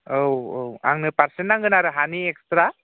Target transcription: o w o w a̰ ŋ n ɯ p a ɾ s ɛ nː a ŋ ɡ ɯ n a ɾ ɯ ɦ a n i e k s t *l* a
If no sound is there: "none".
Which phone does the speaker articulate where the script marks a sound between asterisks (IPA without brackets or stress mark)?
ɾ